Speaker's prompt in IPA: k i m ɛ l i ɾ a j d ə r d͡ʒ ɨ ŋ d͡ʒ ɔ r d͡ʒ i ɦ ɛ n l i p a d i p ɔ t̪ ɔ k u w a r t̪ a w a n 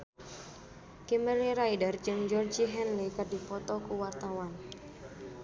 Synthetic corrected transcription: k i m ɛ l i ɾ a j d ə r d͡ʒ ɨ ŋ d͡ʒ ɔ r d͡ʒ i ɦ ɛ n l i k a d i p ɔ t̪ ɔ k u w a r t̪ a w a n